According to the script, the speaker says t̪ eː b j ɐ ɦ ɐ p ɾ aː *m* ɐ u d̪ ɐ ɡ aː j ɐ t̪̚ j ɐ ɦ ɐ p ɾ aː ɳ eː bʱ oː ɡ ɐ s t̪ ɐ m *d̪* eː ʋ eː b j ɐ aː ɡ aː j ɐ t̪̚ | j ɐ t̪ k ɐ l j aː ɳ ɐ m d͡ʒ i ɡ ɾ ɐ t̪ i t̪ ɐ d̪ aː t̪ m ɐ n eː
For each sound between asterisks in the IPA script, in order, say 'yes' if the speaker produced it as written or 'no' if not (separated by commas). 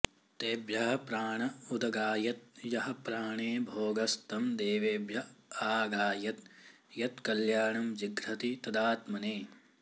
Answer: no, yes